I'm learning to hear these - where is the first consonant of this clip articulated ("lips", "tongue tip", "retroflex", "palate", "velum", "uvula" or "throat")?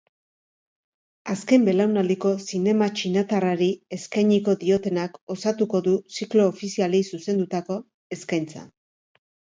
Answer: tongue tip